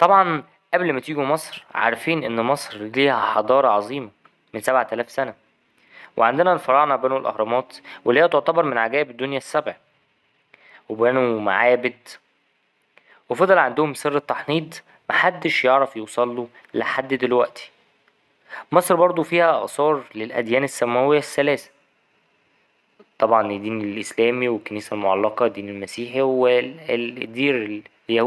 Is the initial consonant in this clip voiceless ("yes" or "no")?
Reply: yes